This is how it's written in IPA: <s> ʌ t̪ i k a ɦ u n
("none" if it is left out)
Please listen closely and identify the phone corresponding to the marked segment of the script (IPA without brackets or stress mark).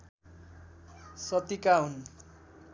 s